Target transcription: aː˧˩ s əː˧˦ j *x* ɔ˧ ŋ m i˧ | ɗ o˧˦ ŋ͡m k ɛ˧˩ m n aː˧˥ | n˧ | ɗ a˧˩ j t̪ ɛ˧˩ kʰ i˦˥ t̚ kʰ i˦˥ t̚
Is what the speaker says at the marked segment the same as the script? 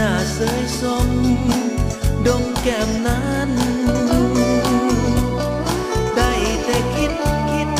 no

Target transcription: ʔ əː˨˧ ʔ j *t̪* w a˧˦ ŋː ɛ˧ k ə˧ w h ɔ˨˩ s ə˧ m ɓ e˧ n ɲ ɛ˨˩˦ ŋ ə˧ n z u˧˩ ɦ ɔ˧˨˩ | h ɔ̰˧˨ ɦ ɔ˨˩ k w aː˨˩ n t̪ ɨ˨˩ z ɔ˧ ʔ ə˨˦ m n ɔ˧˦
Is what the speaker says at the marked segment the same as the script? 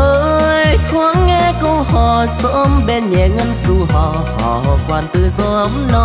no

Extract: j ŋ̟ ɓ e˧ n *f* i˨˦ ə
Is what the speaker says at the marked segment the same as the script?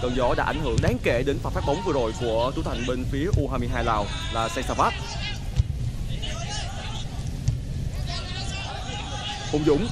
yes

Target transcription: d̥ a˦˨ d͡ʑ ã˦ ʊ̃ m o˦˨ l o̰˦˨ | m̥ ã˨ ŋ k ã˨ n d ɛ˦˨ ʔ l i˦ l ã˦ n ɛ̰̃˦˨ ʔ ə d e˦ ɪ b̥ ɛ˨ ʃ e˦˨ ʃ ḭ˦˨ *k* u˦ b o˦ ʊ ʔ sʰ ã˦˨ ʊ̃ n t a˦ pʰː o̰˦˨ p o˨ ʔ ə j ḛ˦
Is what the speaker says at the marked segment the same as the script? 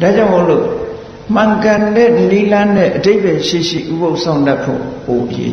no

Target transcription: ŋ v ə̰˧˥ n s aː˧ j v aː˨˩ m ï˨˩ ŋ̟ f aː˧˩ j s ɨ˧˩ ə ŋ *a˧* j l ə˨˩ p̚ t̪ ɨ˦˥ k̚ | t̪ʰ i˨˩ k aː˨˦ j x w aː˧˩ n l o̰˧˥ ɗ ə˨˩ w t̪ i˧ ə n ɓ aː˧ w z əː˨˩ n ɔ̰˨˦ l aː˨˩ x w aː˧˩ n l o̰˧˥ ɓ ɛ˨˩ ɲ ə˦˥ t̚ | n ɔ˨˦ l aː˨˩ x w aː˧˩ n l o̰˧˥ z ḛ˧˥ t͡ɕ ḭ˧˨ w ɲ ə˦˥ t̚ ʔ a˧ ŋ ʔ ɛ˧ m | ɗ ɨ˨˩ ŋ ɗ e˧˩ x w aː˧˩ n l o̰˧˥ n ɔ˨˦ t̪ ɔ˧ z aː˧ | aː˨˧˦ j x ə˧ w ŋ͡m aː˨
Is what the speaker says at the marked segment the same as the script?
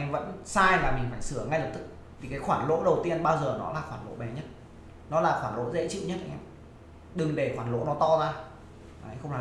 yes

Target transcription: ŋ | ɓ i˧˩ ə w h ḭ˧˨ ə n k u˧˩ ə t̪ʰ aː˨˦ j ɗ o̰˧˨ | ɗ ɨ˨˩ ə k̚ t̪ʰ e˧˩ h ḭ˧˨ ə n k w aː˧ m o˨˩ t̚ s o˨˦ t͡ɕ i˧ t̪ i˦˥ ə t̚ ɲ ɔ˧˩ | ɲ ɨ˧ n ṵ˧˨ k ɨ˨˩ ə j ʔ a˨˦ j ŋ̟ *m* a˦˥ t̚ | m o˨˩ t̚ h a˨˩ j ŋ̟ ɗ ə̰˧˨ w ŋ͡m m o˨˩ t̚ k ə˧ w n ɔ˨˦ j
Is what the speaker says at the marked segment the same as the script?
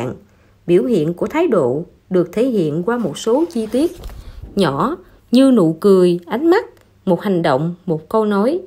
yes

